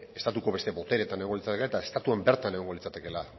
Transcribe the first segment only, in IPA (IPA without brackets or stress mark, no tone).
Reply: e̞